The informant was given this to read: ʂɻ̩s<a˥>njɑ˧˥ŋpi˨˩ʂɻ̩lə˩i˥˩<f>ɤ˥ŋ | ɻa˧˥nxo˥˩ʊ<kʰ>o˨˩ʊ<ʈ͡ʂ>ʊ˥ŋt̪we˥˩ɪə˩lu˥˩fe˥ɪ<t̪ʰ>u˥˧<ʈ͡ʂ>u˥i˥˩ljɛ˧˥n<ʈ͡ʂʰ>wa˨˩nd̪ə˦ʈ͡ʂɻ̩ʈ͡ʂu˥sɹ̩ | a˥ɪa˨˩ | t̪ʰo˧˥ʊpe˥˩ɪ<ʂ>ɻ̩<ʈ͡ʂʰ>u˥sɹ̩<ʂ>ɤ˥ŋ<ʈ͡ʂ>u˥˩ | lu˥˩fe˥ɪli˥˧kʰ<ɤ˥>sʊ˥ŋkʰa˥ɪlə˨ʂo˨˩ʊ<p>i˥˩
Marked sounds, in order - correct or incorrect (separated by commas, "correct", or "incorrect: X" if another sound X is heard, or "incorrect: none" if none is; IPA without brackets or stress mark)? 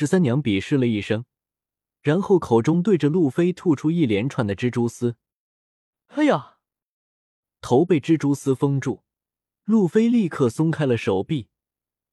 correct, incorrect: ʂ, correct, correct, correct, incorrect: ʈ͡ʂʰ, correct, incorrect: ʈ͡ʂ, incorrect: ʈ͡ʂ, incorrect: f, correct, incorrect: ɤ˥˩, correct